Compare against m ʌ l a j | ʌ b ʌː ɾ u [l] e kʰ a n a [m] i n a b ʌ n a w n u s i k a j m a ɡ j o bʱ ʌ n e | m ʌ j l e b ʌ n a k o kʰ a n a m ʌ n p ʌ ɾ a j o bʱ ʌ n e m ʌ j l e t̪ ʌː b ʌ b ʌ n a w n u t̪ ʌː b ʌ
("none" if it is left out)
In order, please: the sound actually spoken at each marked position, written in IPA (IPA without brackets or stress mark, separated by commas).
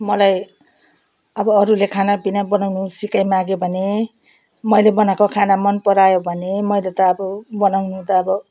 l, b